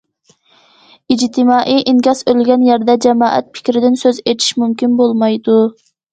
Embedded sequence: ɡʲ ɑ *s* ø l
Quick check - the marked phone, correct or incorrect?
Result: correct